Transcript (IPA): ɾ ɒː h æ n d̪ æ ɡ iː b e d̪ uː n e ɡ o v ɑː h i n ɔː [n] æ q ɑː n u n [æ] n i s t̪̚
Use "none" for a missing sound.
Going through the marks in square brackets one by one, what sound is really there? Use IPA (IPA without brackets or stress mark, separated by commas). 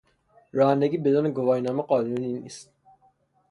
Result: m, i